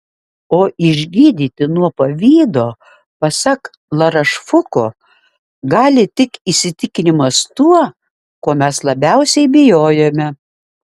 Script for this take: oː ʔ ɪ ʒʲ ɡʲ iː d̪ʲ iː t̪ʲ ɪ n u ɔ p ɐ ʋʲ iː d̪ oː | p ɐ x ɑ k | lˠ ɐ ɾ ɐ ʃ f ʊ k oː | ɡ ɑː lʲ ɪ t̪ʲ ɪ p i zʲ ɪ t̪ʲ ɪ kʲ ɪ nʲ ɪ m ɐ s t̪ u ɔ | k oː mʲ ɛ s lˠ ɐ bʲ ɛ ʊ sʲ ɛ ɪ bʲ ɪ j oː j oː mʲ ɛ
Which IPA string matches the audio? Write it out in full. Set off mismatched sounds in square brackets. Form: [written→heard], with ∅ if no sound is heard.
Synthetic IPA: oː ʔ ɪ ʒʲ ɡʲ iː d̪ʲ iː t̪ʲ ɪ n u ɔ p ɐ ʋʲ iː d̪ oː | p ɐ [x→s] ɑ k | lˠ ɐ ɾ ɐ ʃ f ʊ k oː | ɡ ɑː lʲ ɪ t̪ʲ ɪ [p→k] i [zʲ→sʲ] ɪ t̪ʲ ɪ kʲ ɪ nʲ ɪ m ɐ s t̪ u ɔ | k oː mʲ ɛ s lˠ ɐ bʲ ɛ ʊ sʲ ɛ ɪ bʲ ɪ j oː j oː mʲ ɛ

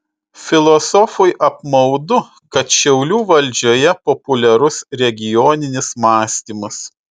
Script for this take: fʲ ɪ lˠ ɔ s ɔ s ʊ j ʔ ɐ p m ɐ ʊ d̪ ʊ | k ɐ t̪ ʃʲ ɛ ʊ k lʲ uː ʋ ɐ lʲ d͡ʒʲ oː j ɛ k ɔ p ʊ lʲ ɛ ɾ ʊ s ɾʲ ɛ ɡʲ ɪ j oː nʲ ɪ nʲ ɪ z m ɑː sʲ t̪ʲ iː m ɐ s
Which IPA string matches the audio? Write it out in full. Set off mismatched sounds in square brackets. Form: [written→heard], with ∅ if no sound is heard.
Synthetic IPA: fʲ ɪ lˠ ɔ s ɔ [s→f] ʊ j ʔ ɐ p m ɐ ʊ d̪ ʊ | k ɐ t̪ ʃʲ ɛ ʊ [k→∅] lʲ uː ʋ ɐ lʲ d͡ʒʲ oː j ɛ [k→p] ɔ p ʊ lʲ ɛ ɾ ʊ s ɾʲ ɛ ɡʲ ɪ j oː nʲ ɪ nʲ ɪ [z→s] m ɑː sʲ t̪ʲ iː m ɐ s

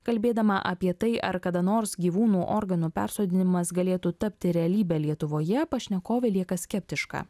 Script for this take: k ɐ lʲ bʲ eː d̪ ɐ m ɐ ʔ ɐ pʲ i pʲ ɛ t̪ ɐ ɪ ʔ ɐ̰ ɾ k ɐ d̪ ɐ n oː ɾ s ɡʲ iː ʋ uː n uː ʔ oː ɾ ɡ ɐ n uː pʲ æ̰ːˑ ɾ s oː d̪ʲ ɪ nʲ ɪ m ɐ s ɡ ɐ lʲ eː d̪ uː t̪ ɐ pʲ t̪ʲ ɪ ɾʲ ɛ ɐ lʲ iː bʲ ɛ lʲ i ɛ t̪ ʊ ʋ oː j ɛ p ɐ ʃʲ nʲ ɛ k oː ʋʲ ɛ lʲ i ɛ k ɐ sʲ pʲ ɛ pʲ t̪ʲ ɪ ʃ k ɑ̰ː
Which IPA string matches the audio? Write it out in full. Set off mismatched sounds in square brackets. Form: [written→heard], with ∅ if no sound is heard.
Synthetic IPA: k ɐ lʲ bʲ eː d̪ ɐ m ɐ ʔ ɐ pʲ i [pʲ→∅] ɛ t̪ ɐ ɪ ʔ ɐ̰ ɾ k ɐ d̪ ɐ n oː ɾ s ɡʲ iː ʋ uː n uː ʔ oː ɾ ɡ ɐ n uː pʲ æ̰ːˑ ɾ s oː d̪ʲ ɪ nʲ ɪ m ɐ s ɡ ɐ lʲ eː [d̪→t̪] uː t̪ ɐ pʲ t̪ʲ ɪ ɾʲ ɛ ɐ lʲ iː bʲ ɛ lʲ i ɛ t̪ ʊ ʋ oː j ɛ p ɐ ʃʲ nʲ ɛ k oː ʋʲ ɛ lʲ i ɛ k ɐ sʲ [pʲ→kʲ] ɛ pʲ t̪ʲ ɪ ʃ k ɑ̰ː

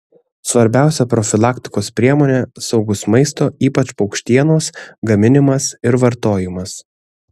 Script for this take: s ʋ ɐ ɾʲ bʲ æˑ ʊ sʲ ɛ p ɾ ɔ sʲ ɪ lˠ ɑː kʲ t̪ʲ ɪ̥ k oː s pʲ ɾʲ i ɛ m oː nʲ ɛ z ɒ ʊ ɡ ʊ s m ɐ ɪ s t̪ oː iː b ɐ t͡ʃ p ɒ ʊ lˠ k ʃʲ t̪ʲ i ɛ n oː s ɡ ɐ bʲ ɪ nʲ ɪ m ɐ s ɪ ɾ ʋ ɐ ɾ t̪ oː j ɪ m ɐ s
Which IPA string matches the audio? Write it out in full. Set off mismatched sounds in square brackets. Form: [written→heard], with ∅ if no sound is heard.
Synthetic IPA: s ʋ ɐ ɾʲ bʲ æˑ ʊ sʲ ɛ p ɾ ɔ [sʲ→fʲ] ɪ lˠ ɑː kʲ t̪ʲ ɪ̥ k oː s pʲ ɾʲ i ɛ m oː nʲ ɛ [z→s] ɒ ʊ ɡ ʊ s m ɐ ɪ s t̪ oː iː [b→p] ɐ t͡ʃ p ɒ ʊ [lˠ→∅] k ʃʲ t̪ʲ i ɛ n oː s ɡ ɐ [bʲ→mʲ] ɪ nʲ ɪ m ɐ s ɪ ɾ ʋ ɐ ɾ t̪ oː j ɪ m ɐ s

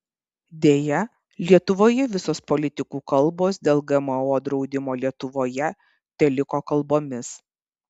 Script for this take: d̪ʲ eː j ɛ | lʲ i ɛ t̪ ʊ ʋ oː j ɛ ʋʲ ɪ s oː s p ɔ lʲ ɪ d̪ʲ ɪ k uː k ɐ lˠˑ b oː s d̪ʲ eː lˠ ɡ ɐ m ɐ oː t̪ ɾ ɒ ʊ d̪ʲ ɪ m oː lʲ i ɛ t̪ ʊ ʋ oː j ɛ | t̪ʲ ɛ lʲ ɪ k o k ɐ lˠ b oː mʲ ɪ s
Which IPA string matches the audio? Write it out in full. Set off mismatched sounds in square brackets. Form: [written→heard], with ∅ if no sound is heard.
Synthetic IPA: d̪ʲ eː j ɛ | lʲ i ɛ t̪ ʊ ʋ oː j ɛ ʋʲ ɪ s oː s p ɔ lʲ ɪ [d̪ʲ→t̪ʲ] ɪ k uː k ɐ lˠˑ b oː s d̪ʲ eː lˠ ɡ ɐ m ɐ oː [t̪→d̪] ɾ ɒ ʊ d̪ʲ ɪ m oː lʲ i ɛ t̪ ʊ ʋ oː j ɛ | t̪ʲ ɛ lʲ ɪ k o k ɐ lˠ b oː mʲ ɪ s

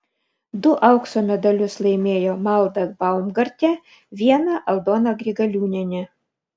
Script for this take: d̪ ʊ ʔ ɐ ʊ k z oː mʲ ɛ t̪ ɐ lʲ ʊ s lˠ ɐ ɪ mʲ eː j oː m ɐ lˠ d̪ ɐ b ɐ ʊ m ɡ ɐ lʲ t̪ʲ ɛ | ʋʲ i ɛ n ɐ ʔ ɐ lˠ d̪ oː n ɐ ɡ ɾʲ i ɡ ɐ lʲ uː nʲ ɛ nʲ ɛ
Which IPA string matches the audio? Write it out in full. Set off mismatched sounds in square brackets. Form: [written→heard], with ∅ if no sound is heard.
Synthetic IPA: d̪ ʊ ʔ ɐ ʊ k [z→s] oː mʲ ɛ [t̪→d̪] ɐ lʲ ʊ s lˠ ɐ ɪ mʲ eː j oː m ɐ lˠ d̪ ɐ b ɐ ʊ m ɡ ɐ [lʲ→ɾʲ] t̪ʲ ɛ | ʋʲ i ɛ n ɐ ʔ ɐ lˠ d̪ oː n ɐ ɡ ɾʲ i ɡ ɐ lʲ uː nʲ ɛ nʲ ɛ

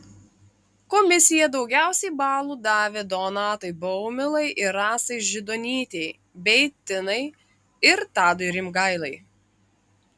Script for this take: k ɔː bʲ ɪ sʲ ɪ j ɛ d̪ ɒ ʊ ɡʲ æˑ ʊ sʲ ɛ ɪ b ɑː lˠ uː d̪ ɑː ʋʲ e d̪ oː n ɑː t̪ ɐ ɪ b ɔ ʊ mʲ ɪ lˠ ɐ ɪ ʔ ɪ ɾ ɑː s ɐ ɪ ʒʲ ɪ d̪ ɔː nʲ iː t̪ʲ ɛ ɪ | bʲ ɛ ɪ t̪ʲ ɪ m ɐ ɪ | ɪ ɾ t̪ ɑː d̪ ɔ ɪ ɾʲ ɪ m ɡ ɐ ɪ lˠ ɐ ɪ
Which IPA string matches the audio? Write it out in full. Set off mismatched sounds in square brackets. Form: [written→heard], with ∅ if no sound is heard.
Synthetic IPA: k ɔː [bʲ→mʲ] ɪ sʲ ɪ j ɛ d̪ ɒ ʊ ɡʲ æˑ ʊ sʲ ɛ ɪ b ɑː lˠ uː d̪ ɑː ʋʲ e d̪ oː n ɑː t̪ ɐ ɪ b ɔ ʊ mʲ ɪ lˠ ɐ ɪ ʔ ɪ ɾ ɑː s ɐ ɪ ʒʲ ɪ d̪ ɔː nʲ iː t̪ʲ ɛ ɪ | bʲ ɛ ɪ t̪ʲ ɪ [m→n] ɐ ɪ | ɪ ɾ t̪ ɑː d̪ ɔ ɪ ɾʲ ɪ m ɡ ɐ ɪ lˠ ɐ ɪ

